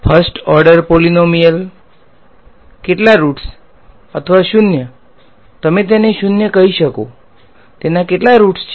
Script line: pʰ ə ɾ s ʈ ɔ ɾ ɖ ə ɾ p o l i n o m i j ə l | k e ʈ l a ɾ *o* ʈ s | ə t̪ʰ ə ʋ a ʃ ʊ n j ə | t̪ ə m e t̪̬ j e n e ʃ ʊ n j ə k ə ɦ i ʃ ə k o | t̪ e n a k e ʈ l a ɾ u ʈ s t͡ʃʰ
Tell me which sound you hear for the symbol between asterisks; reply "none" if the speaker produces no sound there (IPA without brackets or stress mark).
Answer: u